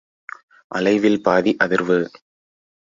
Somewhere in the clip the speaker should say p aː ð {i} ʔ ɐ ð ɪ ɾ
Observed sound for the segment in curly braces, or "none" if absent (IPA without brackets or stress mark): i